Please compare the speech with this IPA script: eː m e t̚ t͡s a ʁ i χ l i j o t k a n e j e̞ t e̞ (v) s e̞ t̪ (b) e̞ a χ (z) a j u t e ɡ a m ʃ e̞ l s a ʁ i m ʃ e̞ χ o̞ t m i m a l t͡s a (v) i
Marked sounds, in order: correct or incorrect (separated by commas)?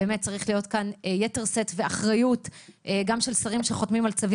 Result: incorrect, incorrect, incorrect, correct